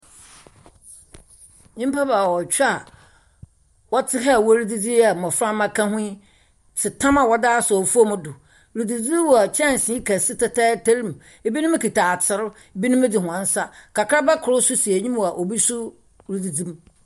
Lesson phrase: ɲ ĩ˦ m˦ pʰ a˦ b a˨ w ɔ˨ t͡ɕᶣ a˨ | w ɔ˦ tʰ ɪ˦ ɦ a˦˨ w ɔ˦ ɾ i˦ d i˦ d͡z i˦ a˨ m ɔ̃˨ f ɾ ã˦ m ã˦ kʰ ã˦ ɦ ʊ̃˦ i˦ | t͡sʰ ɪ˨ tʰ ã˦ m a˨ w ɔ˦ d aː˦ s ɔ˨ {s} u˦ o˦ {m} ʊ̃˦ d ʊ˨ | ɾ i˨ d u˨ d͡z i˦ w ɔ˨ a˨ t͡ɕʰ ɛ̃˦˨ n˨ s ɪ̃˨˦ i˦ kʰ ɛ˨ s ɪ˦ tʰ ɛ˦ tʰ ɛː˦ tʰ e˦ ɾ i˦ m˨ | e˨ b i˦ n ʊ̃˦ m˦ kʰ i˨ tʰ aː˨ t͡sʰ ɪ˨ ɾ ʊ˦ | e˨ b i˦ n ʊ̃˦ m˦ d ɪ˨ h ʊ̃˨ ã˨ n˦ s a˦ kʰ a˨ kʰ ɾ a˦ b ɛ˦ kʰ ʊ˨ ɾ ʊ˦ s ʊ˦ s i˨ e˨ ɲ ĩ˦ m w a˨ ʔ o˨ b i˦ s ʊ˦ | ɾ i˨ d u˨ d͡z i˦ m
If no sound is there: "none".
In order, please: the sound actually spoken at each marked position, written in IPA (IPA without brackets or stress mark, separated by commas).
f, m